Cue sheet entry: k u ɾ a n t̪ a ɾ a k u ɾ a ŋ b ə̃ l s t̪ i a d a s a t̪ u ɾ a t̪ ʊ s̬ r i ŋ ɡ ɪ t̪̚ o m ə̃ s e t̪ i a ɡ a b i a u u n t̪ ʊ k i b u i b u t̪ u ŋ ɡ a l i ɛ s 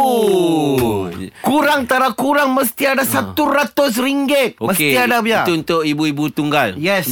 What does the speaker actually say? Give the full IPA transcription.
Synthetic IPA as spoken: k u ɾ a ŋ t̪ a ɾ a k u ɾ a ŋ m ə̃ s t̪ i a d a s a t̪ u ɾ a t̪ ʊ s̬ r i ŋ ɡ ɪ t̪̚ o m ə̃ s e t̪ i a d a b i a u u n t̪ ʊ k i b u i b u t̪ u ŋ ɡ a l j ɛ s